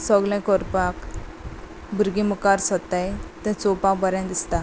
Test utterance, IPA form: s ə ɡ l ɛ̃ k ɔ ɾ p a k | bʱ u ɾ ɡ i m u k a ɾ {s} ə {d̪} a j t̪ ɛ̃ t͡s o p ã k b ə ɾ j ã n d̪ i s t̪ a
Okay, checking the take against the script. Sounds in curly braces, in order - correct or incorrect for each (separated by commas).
correct, incorrect